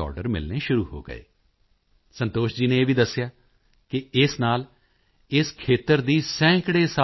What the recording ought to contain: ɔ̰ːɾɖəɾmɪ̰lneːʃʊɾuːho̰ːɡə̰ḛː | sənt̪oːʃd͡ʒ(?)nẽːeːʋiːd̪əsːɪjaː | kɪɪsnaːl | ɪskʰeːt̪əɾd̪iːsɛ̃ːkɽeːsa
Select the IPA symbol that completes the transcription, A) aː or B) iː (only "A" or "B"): B